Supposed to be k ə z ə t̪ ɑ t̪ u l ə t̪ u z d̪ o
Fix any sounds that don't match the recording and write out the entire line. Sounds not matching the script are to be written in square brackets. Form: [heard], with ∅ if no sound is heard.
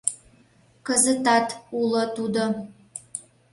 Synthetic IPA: k ə z ə t̪ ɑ t̪ u l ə t̪ u [∅] d̪ o